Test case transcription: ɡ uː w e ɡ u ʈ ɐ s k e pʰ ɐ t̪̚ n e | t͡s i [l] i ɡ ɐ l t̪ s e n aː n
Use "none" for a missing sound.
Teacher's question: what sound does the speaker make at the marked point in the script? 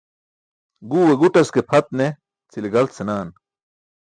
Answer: l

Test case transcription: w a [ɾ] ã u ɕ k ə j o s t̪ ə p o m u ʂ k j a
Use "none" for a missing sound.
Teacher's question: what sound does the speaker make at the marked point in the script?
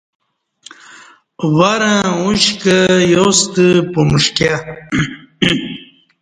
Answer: ɾ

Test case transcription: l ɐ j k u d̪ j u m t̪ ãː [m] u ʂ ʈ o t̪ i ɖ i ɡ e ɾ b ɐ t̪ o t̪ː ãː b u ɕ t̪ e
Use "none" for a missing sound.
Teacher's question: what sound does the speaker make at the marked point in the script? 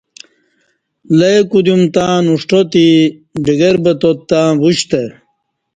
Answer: n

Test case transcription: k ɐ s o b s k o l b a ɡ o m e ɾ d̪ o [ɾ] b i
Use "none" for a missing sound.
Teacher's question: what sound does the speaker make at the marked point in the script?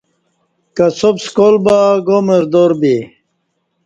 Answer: ɾ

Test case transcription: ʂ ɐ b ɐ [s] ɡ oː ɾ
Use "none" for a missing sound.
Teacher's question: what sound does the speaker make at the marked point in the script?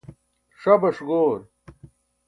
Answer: ʂ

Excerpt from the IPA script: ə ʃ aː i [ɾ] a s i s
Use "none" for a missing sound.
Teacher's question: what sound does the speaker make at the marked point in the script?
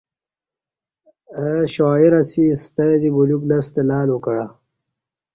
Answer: ɾ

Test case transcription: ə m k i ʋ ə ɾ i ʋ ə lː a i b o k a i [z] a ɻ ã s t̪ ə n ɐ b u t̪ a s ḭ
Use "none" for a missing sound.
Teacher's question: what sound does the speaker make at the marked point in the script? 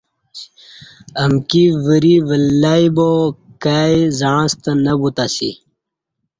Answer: z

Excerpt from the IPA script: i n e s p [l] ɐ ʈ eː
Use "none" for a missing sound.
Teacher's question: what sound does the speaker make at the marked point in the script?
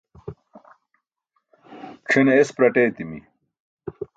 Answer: ɾ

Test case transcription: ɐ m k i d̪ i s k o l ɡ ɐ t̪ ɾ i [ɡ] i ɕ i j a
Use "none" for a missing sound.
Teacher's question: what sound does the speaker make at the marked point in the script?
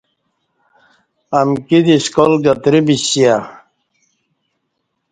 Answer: b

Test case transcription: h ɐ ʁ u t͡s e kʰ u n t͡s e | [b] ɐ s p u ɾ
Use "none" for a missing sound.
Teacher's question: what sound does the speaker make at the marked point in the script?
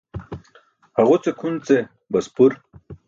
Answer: b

